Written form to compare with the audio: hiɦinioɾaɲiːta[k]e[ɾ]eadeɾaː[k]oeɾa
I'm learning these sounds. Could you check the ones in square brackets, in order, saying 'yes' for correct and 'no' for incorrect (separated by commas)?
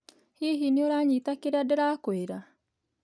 yes, yes, yes